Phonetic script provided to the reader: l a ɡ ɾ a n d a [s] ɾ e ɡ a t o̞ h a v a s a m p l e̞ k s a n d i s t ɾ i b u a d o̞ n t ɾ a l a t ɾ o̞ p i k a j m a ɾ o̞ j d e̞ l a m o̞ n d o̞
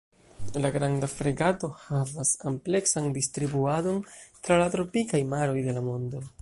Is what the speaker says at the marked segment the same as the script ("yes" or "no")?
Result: no